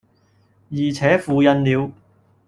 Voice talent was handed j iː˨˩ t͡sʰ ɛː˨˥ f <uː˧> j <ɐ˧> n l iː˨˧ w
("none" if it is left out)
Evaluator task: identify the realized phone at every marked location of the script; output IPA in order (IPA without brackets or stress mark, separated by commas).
uː˧, ɐ˧